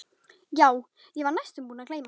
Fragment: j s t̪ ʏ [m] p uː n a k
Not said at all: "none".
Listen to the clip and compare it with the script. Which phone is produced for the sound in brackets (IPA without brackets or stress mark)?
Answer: m